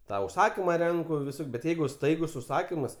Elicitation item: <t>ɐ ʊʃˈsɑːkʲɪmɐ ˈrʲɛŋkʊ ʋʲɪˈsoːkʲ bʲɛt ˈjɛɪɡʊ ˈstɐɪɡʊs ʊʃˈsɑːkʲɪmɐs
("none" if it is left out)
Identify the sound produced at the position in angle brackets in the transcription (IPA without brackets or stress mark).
t